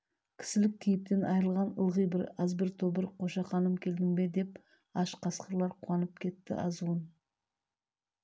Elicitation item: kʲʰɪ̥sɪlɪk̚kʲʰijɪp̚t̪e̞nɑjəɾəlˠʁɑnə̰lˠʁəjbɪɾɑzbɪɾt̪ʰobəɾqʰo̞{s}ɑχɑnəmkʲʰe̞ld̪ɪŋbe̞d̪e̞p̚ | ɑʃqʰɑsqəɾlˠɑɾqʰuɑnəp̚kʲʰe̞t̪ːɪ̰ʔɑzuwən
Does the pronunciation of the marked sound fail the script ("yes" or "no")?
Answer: yes